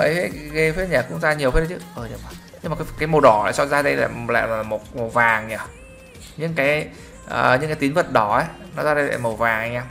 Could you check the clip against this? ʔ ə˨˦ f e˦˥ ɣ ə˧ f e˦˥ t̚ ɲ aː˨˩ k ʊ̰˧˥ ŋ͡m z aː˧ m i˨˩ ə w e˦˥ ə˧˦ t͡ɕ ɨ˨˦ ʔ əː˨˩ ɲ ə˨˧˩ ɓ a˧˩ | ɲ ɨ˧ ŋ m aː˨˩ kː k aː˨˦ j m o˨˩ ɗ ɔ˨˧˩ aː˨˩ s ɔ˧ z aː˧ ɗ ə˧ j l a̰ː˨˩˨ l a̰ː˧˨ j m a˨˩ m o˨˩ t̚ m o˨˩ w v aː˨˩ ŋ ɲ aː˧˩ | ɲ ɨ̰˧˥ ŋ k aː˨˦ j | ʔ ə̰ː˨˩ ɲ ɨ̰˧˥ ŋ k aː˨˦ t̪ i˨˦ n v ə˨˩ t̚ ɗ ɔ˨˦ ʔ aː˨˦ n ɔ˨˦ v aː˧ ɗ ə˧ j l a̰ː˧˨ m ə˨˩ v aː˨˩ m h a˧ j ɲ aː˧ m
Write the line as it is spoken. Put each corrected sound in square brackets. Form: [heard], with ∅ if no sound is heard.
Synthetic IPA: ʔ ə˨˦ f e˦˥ ɣ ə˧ f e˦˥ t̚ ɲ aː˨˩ k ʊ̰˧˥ ŋ͡m z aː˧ [ɲ] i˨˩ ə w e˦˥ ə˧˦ t͡ɕ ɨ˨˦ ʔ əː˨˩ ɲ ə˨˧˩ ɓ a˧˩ | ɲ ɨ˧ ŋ m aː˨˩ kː k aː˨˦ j m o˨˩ ɗ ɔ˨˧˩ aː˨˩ s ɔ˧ z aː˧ ɗ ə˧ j l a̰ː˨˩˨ l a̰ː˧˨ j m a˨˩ m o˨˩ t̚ m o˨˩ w v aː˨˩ ŋ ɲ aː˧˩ | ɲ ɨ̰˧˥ ŋ k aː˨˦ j | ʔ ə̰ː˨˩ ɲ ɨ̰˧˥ ŋ k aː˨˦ t̪ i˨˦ n v ə˨˩ t̚ ɗ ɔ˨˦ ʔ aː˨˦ n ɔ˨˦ [z] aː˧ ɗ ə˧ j l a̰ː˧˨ m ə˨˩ v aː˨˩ [ŋ] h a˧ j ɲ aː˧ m